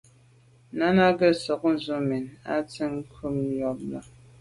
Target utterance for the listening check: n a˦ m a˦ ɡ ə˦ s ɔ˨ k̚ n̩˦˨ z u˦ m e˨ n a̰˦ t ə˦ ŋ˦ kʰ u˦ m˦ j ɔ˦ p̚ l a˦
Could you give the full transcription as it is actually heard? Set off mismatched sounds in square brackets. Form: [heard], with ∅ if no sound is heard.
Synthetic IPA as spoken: n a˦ [n] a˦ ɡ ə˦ s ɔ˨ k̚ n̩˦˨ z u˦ m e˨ n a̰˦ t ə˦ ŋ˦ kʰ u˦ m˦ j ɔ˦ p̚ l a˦